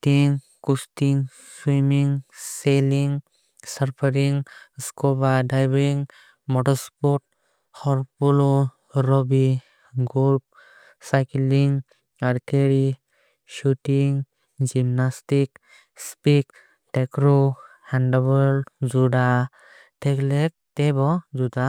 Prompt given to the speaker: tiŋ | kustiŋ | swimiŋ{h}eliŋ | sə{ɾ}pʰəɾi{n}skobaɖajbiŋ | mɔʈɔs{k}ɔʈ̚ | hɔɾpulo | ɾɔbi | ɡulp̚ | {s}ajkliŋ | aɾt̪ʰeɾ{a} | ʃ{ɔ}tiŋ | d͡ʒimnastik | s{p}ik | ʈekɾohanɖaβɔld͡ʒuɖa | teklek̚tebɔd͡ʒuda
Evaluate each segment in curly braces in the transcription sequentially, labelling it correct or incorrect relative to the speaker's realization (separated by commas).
incorrect, correct, incorrect, incorrect, correct, incorrect, incorrect, correct